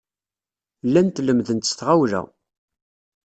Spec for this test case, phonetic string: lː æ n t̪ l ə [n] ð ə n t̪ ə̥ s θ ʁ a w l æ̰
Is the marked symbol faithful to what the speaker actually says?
no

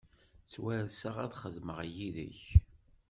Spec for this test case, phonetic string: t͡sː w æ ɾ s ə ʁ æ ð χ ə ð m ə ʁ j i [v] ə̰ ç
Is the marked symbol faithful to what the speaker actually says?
no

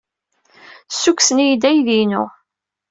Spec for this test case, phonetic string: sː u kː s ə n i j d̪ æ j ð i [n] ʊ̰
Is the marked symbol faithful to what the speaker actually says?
yes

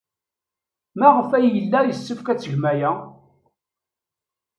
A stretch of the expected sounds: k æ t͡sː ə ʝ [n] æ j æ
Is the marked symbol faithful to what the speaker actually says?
no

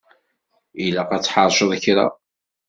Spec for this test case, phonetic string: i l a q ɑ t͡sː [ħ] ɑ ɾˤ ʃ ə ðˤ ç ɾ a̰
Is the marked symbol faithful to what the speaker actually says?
yes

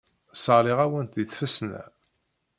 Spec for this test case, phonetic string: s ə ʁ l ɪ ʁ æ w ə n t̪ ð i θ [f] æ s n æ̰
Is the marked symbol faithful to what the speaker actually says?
yes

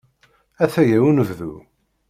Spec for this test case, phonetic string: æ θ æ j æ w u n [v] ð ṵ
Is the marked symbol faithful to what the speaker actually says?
yes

